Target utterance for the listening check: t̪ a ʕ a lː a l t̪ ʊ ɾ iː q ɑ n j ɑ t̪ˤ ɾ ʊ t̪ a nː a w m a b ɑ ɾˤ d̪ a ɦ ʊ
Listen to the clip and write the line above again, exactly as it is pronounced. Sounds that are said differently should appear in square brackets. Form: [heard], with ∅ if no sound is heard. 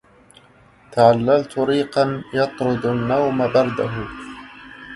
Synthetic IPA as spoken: t̪ a ʕ a lː a l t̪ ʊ ɾ iː q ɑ n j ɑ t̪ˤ ɾ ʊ [d̪] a nː a w m a b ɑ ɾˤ d̪ a ɦ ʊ